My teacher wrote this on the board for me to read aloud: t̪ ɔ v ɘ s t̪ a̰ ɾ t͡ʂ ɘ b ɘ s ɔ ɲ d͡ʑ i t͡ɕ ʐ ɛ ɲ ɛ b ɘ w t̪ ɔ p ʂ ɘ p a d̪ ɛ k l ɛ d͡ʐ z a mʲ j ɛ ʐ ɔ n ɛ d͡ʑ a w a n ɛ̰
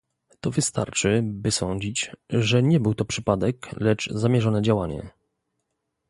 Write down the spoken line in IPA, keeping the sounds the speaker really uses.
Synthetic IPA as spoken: t̪ ɔ v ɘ s t̪ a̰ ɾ t͡ʂ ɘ b ɘ s ɔ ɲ d͡ʑ i t͡ɕ ʐ ɛ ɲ ɛ b ɘ w t̪ ɔ p ʂ ɘ p a d̪ ɛ k l ɛ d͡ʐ z a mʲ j ɛ ʐ ɔ n ɛ d͡ʑ a w a ɲ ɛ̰